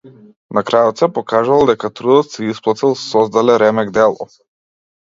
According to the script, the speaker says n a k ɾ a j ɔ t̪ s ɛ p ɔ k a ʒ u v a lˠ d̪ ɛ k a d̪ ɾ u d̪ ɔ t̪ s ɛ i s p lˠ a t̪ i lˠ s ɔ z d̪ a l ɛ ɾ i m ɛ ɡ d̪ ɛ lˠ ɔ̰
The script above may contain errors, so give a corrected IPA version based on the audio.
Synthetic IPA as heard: n a k ɾ a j ɔ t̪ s ɛ p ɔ k a ʒ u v a lˠ d̪ ɛ k a t̪ ɾ u d̪ ɔ t̪ s ɛ i s p lˠ a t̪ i lˠ s ɔ z d̪ a l ɛ ɾ ɛ m ɛ ɡ d̪ ɛ lˠ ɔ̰